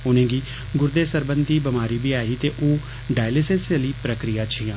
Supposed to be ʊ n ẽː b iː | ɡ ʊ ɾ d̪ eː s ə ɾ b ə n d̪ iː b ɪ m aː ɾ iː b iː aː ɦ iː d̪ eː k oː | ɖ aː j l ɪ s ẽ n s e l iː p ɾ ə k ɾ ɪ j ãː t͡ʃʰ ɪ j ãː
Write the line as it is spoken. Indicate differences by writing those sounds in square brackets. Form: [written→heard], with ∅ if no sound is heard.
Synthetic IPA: ʊ n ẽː [b→ɡ] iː | ɡ ʊ ɾ d̪ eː s ə ɾ b ə n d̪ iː b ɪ m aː ɾ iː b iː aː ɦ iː [d̪→t̪] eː [k→ʔ] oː | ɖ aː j l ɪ s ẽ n s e l iː p ɾ ə k ɾ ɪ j [ãː→aː] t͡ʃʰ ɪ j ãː